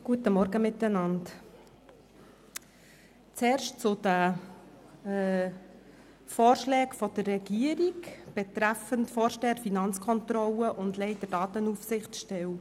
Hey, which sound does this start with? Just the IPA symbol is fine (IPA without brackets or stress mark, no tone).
ɡ̥